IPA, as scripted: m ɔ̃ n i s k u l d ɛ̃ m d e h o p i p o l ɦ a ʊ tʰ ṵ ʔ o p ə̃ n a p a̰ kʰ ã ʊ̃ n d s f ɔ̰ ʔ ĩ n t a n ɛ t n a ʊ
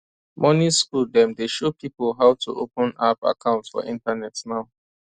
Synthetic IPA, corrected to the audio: m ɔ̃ n i s k u l d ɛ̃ m d e ʃ o p i p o l ɦ a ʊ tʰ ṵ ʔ o p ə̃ n a p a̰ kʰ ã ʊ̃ n t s f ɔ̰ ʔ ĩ n t a n ɛ t n a ʊ